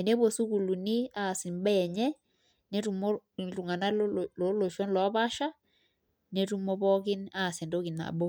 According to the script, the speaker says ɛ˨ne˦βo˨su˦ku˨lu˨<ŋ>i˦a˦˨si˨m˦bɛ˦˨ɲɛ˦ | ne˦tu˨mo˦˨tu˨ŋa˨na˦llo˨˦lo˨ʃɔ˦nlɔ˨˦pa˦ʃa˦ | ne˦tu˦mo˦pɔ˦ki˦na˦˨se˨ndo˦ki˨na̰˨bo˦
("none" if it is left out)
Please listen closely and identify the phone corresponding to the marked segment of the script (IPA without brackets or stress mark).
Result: n